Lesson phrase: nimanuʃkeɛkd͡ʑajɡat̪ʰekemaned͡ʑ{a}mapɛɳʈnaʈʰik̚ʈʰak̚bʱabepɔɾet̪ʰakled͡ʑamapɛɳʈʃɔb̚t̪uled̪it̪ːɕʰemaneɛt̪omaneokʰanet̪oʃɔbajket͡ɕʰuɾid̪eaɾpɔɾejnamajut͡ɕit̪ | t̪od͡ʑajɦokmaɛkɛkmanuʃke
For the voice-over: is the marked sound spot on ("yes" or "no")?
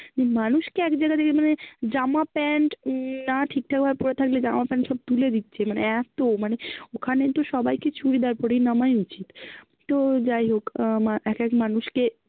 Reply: yes